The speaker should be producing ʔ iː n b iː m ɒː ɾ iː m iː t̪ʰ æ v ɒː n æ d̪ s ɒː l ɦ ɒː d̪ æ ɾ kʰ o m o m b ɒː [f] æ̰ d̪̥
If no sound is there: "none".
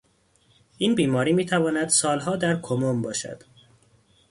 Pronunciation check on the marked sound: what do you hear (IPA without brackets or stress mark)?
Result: ʃ